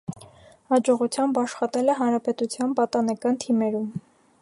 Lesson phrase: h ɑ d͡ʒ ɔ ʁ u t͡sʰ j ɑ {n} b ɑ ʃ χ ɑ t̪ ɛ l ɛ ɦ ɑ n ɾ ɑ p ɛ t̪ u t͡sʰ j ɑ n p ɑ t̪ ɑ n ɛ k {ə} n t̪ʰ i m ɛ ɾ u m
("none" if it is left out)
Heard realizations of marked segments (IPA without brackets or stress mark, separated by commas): m, ɑ